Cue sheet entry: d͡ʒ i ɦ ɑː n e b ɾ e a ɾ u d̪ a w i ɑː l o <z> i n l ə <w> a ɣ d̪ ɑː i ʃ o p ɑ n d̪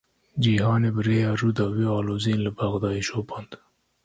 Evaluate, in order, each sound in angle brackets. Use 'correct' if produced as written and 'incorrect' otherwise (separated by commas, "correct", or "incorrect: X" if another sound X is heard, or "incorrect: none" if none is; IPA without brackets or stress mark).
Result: correct, incorrect: b